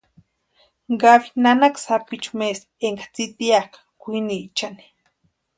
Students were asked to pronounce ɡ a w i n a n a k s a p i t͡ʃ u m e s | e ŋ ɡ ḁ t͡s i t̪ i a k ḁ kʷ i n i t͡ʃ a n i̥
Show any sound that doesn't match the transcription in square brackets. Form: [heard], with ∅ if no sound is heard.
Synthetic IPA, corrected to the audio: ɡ a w i n a n a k s a p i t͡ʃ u m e s | e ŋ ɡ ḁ t͡s i t̪ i a k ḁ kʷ i n i t͡ʃ a n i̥